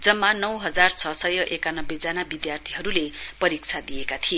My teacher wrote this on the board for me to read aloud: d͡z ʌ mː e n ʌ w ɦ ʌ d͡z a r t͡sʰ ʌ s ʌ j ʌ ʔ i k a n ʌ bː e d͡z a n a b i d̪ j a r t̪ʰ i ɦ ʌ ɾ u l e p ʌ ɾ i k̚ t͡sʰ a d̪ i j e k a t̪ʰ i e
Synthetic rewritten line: d͡z ʌ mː a n ʌ w ɦ ʌ d͡z a r t͡sʰ ʌ s ʌ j ʌ ʔ e k a n ʌ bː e d͡z a n a b i d̪ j a r t̪ʰ i ɦ ʌ ɾ u l e p ʌ ɾ i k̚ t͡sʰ a d̪ i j e k a t̪ʰ i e